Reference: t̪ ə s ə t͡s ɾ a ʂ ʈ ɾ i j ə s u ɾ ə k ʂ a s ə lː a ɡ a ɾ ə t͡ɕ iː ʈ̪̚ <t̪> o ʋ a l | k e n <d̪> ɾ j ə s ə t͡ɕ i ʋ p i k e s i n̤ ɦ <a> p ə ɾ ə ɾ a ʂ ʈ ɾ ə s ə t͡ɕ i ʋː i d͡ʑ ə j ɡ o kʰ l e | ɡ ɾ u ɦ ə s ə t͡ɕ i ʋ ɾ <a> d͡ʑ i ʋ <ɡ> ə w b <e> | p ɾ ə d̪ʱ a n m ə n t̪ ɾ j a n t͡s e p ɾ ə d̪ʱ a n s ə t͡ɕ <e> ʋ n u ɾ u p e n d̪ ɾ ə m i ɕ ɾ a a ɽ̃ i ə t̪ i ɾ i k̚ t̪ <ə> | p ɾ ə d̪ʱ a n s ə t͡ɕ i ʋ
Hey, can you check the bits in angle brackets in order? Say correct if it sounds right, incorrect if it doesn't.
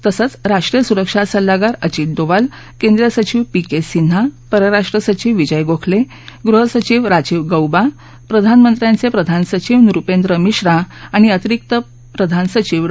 incorrect: d̪, correct, correct, correct, correct, incorrect: a, incorrect: i, correct

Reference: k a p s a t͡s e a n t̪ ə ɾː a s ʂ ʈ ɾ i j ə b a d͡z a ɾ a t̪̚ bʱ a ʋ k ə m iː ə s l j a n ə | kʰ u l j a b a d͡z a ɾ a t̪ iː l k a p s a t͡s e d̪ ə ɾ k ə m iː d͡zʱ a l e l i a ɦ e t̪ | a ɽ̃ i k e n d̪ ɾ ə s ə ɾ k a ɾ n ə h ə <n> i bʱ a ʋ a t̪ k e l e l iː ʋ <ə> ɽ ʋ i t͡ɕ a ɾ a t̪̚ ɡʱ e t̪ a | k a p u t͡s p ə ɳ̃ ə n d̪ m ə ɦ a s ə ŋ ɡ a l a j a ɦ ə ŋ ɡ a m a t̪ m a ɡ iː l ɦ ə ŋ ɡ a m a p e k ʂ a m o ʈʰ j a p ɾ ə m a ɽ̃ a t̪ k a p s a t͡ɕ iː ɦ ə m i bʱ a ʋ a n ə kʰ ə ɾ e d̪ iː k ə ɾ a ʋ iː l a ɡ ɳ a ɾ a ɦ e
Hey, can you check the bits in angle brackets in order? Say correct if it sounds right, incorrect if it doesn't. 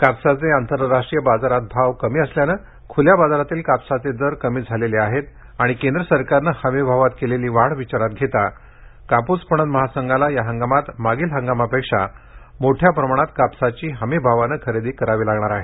incorrect: m, incorrect: a

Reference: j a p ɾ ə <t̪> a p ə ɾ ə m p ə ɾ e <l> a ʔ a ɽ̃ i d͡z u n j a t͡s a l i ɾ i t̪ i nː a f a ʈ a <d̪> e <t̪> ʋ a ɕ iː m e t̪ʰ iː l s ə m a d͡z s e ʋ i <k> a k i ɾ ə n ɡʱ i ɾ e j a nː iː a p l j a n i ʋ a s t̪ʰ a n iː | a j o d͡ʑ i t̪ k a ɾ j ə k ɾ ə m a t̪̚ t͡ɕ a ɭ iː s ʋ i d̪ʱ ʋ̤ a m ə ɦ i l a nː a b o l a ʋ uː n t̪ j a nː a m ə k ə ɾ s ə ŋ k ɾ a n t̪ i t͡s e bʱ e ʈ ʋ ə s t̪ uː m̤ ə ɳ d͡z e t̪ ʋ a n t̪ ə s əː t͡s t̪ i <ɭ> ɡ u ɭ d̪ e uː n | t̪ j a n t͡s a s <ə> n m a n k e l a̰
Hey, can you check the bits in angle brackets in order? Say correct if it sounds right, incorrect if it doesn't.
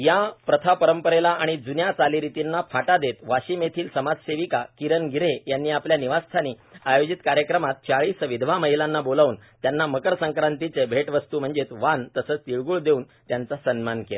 incorrect: t̪ʰ, correct, correct, correct, correct, correct, correct

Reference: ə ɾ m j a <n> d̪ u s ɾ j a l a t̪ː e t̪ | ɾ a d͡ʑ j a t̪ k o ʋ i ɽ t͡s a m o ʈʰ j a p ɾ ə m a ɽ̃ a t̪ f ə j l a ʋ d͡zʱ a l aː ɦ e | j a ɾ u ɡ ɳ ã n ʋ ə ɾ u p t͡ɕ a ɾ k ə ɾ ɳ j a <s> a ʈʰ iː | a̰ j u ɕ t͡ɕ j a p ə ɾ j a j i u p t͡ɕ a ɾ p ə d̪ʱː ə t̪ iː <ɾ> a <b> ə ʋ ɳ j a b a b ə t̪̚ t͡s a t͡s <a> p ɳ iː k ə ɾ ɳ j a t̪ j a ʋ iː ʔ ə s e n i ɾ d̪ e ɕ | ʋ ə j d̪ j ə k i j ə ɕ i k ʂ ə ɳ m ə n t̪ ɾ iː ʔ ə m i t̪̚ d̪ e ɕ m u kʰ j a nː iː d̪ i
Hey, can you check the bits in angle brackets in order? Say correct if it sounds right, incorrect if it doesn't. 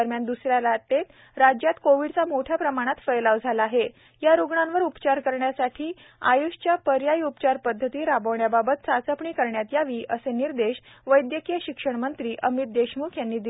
correct, correct, correct, correct, incorrect: ə

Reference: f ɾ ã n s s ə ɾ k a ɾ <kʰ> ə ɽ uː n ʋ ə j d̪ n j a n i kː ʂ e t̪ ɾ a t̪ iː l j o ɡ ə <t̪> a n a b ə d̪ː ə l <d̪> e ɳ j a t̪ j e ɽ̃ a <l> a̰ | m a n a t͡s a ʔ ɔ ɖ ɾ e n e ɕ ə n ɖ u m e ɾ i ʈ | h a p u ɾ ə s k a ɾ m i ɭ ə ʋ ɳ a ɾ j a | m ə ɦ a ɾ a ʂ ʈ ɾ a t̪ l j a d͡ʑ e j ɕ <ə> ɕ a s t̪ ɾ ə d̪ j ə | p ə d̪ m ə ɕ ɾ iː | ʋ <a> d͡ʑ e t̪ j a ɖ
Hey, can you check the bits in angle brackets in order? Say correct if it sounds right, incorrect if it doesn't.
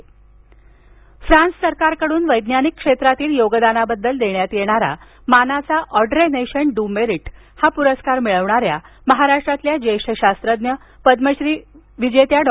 incorrect: k, incorrect: d̪, correct, incorrect: ɾ, correct, incorrect: i

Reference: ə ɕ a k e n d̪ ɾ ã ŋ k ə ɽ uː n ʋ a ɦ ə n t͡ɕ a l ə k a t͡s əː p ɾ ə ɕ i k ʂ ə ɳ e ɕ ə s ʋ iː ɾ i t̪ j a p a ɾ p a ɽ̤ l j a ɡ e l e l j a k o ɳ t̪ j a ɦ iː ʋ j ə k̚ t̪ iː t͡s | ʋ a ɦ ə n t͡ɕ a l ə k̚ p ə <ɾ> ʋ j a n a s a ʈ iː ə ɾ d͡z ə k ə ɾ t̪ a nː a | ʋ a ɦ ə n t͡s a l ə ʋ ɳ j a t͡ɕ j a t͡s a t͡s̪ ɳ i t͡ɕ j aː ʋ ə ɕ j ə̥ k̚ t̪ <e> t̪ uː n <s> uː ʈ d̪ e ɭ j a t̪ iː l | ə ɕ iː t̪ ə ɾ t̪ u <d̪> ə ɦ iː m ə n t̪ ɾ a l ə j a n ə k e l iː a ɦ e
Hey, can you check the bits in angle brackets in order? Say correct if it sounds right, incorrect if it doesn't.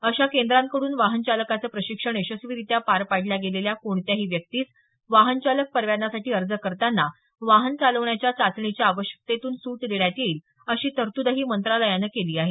correct, correct, correct, correct

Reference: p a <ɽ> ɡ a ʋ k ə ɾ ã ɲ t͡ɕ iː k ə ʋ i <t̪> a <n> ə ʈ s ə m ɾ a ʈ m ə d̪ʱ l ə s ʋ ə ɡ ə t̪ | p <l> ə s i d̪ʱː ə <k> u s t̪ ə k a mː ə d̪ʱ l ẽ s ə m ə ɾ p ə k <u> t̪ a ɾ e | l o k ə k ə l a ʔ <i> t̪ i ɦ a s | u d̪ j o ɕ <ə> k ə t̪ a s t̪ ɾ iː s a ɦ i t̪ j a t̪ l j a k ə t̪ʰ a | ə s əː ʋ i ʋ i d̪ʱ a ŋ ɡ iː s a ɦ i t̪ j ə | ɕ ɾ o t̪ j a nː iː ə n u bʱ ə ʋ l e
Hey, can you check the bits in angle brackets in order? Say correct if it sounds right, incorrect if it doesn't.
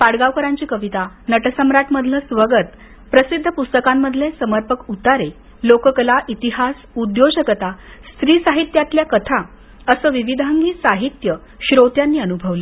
correct, correct, correct, incorrect: ɾ, incorrect: p, correct, correct, correct

